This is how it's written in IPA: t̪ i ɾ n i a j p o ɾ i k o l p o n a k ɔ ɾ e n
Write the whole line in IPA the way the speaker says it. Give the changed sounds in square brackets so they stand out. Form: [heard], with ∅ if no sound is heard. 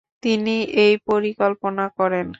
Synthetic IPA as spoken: t̪ i [∅] n i [e] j p o ɾ i k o l p o n a k ɔ ɾ e n